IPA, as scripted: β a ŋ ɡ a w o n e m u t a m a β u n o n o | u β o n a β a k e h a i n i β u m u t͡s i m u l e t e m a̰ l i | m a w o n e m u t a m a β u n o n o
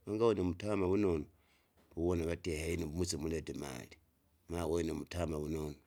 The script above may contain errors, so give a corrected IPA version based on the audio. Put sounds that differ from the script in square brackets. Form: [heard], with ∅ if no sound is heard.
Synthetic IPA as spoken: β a ŋ ɡ a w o n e m u t a m a β u n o n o | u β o n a β a [t] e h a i n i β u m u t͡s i m u l e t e m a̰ l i | m a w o n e m u t a m a β u n o n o